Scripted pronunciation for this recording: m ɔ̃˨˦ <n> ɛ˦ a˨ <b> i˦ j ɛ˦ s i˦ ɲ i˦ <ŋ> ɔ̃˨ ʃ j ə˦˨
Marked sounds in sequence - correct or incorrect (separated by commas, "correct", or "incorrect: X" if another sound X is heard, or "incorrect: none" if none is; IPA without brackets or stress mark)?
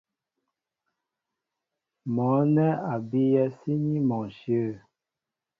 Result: correct, correct, incorrect: m